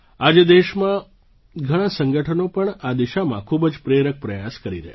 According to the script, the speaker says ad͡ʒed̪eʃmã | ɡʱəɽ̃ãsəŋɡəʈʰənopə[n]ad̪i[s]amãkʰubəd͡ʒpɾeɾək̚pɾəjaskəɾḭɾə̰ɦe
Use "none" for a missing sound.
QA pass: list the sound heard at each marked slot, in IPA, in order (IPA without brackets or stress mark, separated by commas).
ɳ, ʃ